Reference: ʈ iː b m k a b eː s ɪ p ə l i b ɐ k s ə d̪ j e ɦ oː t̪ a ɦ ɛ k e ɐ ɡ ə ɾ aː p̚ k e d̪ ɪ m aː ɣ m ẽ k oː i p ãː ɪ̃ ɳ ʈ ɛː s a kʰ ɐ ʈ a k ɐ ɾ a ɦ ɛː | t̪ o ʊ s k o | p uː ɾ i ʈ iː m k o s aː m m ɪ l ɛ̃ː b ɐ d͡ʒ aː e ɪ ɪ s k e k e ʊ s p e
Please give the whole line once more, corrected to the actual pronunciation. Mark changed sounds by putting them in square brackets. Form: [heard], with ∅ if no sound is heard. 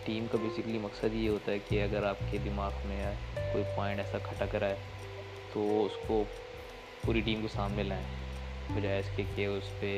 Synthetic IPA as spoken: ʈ iː [∅] m k a b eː s ɪ [k] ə l i [m] ɐ k s ə d̪ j e ɦ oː t̪ a ɦ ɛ k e ɐ ɡ ə ɾ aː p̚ k e d̪ ɪ m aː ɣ m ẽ k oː i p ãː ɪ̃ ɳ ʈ ɛː s a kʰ ɐ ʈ a k ɐ ɾ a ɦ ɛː | t̪ o ʊ s k o | p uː ɾ i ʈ iː m k o s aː m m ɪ l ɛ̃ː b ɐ d͡ʒ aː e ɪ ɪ s k e k e ʊ s p e